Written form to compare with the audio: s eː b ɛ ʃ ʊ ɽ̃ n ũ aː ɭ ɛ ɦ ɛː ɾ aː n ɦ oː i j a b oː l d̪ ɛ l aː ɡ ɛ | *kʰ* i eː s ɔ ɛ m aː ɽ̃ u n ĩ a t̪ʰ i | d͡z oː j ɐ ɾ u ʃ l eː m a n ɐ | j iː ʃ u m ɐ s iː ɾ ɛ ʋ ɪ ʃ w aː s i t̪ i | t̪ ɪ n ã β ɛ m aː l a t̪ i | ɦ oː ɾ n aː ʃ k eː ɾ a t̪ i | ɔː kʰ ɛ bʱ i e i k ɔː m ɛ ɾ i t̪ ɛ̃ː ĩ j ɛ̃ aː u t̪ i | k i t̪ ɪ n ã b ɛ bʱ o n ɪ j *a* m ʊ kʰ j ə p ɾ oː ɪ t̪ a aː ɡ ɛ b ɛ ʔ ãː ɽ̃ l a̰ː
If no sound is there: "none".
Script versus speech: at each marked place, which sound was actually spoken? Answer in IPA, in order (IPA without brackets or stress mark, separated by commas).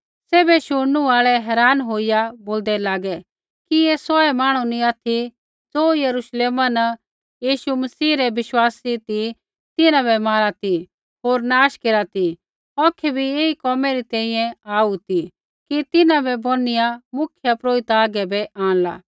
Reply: k, a